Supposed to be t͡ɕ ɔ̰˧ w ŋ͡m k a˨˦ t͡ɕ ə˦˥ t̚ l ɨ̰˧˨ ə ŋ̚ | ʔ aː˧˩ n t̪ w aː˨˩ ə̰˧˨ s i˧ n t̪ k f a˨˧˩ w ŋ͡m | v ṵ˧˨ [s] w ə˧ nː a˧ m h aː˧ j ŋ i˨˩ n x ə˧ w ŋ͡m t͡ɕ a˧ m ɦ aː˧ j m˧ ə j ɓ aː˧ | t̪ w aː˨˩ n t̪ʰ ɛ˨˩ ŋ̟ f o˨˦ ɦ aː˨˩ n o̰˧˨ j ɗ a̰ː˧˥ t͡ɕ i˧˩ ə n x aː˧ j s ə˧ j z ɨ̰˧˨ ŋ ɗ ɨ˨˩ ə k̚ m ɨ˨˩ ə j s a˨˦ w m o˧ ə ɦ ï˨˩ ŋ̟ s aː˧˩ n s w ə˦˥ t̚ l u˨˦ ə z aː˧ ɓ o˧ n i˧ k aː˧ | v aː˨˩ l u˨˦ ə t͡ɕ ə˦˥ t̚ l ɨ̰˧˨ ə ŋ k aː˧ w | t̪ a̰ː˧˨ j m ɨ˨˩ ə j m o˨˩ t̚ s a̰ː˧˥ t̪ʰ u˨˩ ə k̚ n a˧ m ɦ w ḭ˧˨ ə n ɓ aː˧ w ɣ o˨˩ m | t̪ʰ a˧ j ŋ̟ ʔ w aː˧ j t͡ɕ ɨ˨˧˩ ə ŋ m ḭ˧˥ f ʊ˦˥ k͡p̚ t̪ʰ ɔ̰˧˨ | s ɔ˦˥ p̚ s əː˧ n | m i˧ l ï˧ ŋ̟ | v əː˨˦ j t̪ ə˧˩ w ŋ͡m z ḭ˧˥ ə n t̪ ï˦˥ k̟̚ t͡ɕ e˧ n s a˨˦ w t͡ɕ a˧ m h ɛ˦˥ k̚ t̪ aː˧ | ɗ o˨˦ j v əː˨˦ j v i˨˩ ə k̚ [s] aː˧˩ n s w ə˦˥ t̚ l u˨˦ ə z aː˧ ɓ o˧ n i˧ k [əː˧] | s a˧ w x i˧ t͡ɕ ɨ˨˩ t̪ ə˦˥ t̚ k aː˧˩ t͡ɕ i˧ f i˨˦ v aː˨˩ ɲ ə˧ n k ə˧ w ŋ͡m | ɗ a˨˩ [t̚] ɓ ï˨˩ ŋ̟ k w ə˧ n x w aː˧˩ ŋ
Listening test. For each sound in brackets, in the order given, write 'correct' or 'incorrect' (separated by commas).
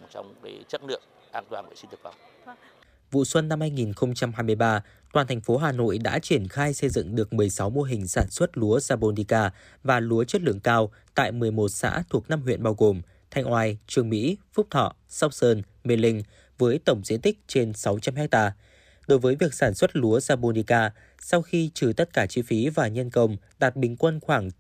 correct, correct, incorrect, correct